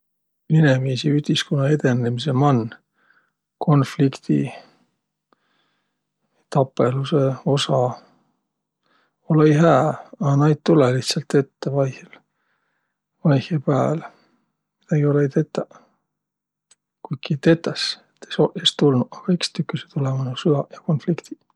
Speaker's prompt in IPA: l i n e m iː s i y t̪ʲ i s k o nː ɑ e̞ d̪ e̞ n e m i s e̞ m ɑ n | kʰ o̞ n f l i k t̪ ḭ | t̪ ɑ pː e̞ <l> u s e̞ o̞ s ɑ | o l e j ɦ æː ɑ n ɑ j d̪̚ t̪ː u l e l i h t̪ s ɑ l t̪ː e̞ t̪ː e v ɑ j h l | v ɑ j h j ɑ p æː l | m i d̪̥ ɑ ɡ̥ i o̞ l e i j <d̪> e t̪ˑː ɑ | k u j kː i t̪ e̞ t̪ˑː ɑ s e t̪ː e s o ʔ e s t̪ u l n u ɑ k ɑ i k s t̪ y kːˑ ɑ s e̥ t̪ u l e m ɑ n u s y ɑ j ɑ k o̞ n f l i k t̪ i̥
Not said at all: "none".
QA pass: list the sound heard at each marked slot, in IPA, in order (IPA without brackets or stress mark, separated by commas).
l, t̪